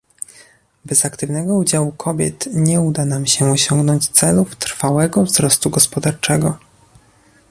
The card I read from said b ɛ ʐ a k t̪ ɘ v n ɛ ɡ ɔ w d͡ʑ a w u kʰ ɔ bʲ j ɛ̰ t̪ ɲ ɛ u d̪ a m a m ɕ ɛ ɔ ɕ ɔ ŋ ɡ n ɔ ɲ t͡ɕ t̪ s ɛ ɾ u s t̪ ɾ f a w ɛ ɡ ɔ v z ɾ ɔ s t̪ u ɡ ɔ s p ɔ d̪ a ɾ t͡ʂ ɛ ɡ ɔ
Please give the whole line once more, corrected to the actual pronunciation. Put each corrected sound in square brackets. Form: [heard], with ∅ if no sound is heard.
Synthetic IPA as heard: b ɛ [z] a k t̪ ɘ v n ɛ ɡ ɔ [u] d͡ʑ a w u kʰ ɔ bʲ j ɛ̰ t̪ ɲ ɛ u d̪ a [n] a m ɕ ɛ ɔ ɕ ɔ ŋ ɡ n ɔ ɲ t͡ɕ t̪ s ɛ [l] u [f] t̪ ɾ f a w ɛ ɡ ɔ v z ɾ ɔ s t̪ u ɡ ɔ s p ɔ d̪ a ɾ t͡ʂ ɛ ɡ ɔ